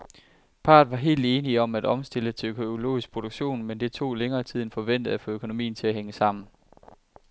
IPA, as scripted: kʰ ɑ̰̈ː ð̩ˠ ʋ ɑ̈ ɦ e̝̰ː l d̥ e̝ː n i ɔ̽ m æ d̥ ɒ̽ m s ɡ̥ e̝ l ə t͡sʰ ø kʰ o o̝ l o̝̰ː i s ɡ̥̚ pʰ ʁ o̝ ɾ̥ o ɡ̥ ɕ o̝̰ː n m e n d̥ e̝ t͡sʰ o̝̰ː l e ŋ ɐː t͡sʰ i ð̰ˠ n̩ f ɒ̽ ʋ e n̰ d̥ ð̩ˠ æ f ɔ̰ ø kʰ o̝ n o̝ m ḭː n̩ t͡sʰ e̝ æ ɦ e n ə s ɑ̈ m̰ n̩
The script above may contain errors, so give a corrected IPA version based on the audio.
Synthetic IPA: pʰ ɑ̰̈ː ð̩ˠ ʋ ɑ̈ ɦ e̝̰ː l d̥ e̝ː n i ɒ̽ m æ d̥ ɒ̽ m s d̥ e̝ l ə t͡sʰ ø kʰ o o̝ l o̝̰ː i s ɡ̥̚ pʰ ʁ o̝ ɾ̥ o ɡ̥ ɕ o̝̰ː n m e n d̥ e̝ t͡sʰ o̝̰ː l e ŋ ɐː t͡sʰ i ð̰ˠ n̩ f ɒ̽ ʋ e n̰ d̥ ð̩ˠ æ f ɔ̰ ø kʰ o̝ n o̝ m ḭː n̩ t͡sʰ e̝ æ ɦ e ŋ ə s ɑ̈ m̰ n̩